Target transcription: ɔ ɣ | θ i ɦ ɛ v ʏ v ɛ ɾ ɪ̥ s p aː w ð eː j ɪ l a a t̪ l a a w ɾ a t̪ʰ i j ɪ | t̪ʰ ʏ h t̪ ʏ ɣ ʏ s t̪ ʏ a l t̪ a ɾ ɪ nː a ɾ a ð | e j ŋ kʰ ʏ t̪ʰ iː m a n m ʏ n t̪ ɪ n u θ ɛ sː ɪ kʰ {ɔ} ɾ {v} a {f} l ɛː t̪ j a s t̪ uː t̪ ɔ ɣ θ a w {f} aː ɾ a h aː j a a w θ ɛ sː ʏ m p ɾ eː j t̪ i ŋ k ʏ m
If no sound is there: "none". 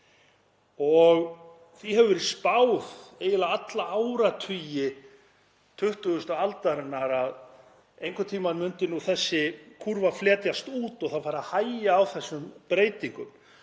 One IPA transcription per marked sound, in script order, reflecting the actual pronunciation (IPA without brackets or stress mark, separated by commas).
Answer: u, v, f, f